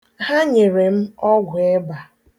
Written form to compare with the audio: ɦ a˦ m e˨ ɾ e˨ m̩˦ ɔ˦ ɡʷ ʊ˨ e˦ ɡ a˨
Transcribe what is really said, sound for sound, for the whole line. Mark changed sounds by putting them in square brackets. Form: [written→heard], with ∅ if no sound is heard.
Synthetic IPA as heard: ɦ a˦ [m→ɲ] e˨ ɾ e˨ m̩˦ ɔ˦ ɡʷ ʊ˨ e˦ [ɡ→b] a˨